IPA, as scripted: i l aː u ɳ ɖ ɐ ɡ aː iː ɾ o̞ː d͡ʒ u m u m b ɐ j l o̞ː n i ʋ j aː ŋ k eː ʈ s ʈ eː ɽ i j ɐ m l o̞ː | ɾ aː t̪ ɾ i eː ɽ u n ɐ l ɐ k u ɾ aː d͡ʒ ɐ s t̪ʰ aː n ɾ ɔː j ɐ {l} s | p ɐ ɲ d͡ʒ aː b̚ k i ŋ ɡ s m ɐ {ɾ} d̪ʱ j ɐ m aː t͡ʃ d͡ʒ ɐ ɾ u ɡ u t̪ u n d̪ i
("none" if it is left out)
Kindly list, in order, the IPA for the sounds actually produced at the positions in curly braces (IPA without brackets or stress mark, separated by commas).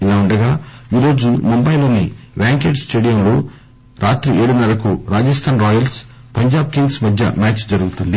l, none